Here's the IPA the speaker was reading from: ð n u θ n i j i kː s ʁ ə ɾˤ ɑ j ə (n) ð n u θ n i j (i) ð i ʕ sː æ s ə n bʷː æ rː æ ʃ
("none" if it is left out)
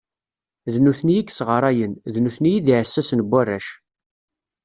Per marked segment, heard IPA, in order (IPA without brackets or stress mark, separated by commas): n, i